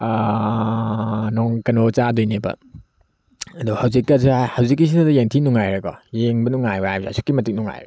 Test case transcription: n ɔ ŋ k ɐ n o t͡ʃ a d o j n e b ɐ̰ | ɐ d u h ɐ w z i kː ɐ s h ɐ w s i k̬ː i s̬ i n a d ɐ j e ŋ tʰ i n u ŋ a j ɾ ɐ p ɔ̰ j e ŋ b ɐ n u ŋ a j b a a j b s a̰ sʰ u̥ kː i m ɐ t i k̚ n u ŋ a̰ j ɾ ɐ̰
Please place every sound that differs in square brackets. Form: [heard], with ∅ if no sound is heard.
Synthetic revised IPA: n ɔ ŋ k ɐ n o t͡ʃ a d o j n e b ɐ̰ | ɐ d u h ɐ w z i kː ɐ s h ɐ w [z] i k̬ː i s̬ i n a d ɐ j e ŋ tʰ i n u ŋ a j ɾ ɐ [k] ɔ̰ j e ŋ b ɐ n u ŋ a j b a a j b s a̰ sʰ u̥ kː i m ɐ t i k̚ n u ŋ a̰ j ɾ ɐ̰